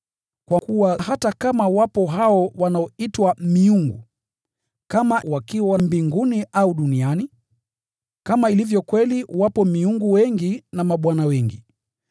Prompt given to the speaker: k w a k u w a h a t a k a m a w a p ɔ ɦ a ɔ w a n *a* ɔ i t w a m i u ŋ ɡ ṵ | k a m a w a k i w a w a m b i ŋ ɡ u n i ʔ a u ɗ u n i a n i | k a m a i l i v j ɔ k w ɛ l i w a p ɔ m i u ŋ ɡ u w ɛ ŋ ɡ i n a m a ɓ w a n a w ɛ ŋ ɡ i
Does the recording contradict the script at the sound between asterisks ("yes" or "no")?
no